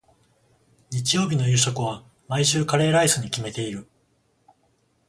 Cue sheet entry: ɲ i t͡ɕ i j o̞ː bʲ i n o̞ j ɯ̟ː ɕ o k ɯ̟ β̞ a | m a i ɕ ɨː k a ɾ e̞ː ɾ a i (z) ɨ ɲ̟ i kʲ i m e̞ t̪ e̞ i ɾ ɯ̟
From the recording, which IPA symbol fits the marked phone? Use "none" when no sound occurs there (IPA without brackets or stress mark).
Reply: s